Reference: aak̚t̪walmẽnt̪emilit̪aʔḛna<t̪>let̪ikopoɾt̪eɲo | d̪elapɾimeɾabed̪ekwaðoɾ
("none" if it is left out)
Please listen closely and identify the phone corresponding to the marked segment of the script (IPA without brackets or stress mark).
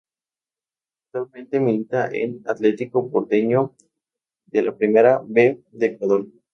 t̪